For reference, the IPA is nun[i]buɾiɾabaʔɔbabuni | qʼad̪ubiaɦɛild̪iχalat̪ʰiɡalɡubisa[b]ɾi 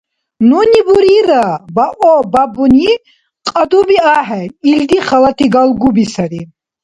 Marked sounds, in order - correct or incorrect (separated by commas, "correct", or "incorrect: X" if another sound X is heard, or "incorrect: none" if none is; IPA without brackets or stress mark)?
correct, incorrect: none